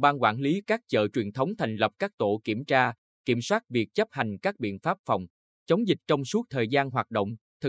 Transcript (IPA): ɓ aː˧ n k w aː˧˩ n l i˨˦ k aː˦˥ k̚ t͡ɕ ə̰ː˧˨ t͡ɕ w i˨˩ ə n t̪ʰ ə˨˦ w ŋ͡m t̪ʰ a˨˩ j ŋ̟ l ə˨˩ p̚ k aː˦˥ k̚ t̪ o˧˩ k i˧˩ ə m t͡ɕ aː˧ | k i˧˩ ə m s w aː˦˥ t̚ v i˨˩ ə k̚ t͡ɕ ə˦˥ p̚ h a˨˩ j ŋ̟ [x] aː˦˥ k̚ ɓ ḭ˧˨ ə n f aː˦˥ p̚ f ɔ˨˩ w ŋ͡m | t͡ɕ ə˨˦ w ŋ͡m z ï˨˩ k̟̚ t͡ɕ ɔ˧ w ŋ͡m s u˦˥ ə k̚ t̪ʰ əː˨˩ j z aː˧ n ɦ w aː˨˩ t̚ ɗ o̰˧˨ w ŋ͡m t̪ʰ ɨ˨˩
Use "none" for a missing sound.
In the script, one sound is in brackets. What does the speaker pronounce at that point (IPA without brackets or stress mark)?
k